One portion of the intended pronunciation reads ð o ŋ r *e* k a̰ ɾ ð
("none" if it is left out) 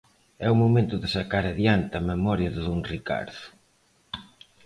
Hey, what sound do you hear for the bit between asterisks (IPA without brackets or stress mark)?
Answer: i